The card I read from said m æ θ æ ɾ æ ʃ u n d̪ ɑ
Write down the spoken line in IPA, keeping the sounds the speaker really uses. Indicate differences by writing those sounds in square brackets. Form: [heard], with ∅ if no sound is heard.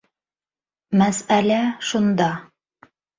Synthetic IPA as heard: m æ [s] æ [l] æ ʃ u n d̪ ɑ